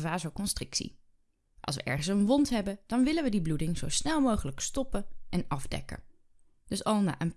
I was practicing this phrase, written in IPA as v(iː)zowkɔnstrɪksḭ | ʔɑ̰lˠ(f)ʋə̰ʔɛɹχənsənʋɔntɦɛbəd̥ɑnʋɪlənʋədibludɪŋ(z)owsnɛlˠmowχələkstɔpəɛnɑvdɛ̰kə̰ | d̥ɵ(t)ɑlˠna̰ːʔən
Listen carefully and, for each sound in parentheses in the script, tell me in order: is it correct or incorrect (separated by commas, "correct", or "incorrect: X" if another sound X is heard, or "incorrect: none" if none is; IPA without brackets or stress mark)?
incorrect: aː, incorrect: s, correct, incorrect: s